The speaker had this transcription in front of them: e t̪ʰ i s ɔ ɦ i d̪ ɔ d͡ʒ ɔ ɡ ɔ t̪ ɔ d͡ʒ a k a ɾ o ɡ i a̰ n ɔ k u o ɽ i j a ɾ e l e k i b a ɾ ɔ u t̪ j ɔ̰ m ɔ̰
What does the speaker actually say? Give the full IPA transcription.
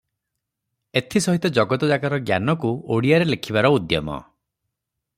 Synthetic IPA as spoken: e t̪ʰ i s ɔ ɦ i t̪ ɔ d͡ʒ ɔ ɡ ɔ t̪ ɔ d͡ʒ a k a ɾ ɔ ɡ j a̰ n ɔ k u o ɽ i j a ɾ e l e kʰ i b a ɾ ɔ u d̪ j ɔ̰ m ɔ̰